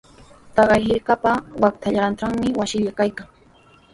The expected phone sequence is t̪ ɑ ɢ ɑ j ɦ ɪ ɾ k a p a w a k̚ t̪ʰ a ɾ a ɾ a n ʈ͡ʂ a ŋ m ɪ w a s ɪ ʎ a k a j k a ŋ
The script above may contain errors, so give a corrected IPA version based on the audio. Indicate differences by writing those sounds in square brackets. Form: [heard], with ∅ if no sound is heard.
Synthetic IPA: t̪ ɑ ɢ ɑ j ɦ ɪ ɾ k a p a w a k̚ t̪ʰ a [ʎ] a ɾ a n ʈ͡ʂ a ŋ m ɪ w a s ɪ ʎ a k a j k a ŋ